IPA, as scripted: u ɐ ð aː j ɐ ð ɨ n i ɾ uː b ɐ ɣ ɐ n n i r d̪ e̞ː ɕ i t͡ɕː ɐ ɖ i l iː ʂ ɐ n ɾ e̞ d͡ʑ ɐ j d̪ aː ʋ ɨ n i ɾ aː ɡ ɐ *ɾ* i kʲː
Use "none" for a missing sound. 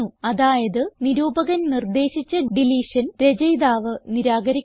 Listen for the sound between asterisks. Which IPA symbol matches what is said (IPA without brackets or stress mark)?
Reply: ɾ